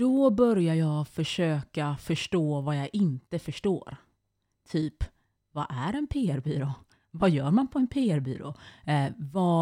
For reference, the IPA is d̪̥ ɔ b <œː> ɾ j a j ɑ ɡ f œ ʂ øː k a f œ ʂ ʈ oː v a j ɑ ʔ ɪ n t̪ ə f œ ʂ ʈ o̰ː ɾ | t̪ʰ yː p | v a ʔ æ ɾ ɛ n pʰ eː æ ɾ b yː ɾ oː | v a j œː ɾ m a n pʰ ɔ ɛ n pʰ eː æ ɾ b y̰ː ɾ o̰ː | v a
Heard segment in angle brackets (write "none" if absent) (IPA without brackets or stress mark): œ